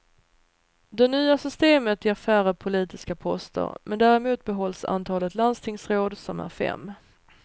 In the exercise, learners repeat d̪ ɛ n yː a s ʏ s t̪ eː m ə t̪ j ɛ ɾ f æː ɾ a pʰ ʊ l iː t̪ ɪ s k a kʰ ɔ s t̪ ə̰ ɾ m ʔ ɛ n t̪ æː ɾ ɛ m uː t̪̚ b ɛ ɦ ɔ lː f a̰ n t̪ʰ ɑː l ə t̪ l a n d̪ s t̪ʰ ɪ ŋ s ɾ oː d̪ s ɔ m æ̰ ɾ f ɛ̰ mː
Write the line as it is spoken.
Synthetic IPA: d̪ ɛ n yː a s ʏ s t̪ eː m ə t̪ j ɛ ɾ f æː ɾ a pʰ ʊ l iː t̪ ɪ s k a pʰ ɔ s t̪ ə̰ ɾ m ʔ ɛ n d̪ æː ɾ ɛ m uː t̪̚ b ɛ ɦ ɔ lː s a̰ n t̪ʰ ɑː l ə t̪ l a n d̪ s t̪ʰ ɪ ŋ s ɾ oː d̪ s ɔ m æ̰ ɾ f ɛ̰ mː